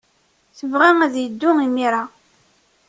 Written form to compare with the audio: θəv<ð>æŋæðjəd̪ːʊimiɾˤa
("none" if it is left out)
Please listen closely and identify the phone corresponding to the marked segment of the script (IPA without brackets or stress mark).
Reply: ʁ